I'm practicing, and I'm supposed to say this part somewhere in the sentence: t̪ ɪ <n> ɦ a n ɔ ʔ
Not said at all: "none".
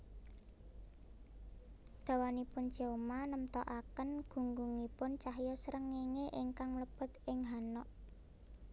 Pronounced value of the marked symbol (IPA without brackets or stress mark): ŋ